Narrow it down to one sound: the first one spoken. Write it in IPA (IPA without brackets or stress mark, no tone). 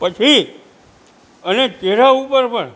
p